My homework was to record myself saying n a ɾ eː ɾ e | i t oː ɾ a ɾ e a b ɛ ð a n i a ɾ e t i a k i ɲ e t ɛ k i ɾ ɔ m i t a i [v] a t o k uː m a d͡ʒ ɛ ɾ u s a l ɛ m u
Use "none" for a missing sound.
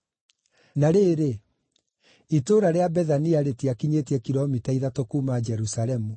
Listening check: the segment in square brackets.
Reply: ð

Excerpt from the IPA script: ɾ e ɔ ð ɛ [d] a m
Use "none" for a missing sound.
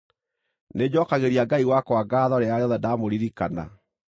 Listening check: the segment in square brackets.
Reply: d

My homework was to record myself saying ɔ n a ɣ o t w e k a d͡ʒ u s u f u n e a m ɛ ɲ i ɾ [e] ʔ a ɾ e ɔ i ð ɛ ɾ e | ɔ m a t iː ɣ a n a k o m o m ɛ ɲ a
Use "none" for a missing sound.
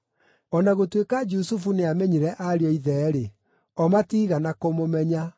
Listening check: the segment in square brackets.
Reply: ɛ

